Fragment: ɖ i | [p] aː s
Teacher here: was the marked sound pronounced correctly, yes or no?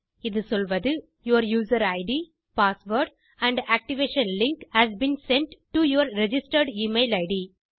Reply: yes